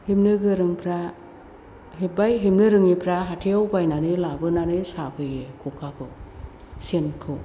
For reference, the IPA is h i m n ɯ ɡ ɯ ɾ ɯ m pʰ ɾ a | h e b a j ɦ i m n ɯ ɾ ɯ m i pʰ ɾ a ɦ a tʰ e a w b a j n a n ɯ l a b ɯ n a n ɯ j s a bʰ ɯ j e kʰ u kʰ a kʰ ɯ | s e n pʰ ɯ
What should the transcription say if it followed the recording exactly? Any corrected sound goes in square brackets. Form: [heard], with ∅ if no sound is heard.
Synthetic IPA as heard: h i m n ɯ ɡ ɯ ɾ ɯ [ŋ] pʰ ɾ a | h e b a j ɦ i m n ɯ ɾ ɯ [ŋ] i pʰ ɾ a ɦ a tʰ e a w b a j n a n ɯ l a b ɯ n a n ɯ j s a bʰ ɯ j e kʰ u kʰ a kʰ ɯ | s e n [kʰ] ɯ